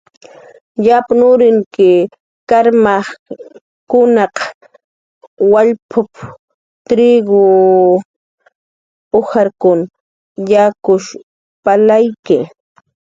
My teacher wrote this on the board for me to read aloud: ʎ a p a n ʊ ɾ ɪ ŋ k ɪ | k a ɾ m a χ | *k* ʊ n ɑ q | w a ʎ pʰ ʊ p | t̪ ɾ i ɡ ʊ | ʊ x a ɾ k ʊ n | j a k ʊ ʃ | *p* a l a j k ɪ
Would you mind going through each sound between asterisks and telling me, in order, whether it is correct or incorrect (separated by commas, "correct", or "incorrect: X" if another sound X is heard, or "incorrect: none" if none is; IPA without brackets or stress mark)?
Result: correct, correct